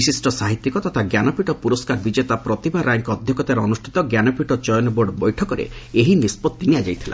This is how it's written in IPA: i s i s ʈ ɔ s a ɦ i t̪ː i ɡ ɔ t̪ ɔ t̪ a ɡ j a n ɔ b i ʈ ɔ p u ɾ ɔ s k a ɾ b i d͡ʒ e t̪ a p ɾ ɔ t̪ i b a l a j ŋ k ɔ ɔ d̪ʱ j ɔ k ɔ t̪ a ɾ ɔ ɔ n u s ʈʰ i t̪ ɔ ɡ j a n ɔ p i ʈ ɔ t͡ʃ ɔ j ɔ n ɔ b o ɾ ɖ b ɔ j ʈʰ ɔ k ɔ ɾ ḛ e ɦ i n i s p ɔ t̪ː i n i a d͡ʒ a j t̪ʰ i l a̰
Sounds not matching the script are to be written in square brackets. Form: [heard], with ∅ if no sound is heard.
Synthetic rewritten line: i s i s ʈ ɔ s a ɦ i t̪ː i [k] ɔ t̪ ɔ [t̪ʰ] a ɡ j a n ɔ [p] i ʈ ɔ p u ɾ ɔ s k a ɾ b i d͡ʒ e t̪ a p ɾ ɔ t̪ i b a [ɾ] a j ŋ k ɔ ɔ d̪ʱ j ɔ k ɔ t̪ a ɾ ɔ ɔ n u s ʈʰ i t̪ ɔ ɡ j a n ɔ p i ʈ ɔ t͡ʃ ɔ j ɔ n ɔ b o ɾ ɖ b ɔ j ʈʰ ɔ k ɔ ɾ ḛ e ɦ i n i s p ɔ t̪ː i n i a d͡ʒ a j t̪ʰ i l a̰